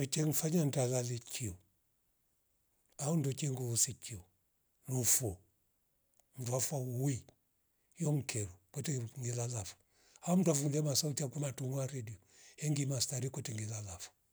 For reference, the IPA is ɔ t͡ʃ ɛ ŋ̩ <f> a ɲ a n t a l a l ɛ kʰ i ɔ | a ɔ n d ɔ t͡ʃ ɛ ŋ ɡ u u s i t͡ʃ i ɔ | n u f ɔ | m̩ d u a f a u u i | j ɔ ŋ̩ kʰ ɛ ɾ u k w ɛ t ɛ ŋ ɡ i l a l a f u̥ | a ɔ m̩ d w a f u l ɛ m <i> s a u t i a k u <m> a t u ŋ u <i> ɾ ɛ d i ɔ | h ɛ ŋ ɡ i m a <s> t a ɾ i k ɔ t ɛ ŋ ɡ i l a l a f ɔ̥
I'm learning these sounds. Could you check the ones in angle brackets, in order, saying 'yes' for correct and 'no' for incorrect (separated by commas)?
yes, no, yes, no, yes